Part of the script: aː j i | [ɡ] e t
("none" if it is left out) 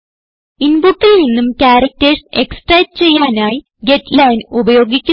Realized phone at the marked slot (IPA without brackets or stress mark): ɡ